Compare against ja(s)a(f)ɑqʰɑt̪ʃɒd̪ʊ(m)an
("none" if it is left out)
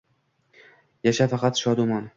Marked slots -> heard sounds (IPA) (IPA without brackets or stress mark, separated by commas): ʃ, f, m